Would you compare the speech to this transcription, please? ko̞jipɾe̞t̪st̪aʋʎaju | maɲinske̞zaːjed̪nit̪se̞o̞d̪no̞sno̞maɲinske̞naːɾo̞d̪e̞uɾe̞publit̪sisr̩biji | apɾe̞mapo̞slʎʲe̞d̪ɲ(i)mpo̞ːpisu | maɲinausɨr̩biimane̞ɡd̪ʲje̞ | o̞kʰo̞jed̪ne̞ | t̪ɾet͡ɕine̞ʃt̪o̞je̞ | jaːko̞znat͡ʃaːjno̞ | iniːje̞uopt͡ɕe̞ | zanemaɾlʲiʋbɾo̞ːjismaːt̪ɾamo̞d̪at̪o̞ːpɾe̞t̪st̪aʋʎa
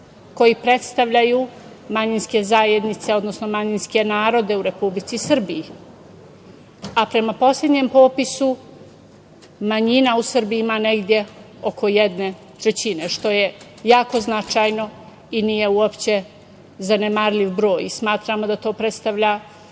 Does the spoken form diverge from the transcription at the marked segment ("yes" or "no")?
yes